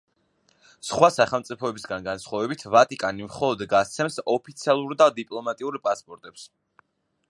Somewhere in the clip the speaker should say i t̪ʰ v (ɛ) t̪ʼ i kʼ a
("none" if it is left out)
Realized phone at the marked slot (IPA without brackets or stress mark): a